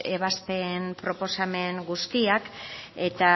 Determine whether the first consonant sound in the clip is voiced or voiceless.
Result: voiced